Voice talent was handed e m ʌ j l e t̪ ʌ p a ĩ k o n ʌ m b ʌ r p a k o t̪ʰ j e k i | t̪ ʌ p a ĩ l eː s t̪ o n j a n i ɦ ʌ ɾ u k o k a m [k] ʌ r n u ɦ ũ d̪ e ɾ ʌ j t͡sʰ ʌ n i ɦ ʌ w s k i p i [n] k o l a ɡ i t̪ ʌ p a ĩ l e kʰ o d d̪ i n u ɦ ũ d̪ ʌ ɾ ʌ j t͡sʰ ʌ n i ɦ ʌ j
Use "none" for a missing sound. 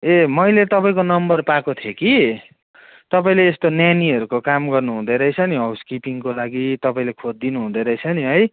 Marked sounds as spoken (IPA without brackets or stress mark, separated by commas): ɡ, ŋ